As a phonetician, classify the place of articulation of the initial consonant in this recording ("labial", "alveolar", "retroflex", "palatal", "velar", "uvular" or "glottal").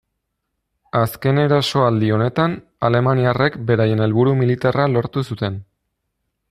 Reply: alveolar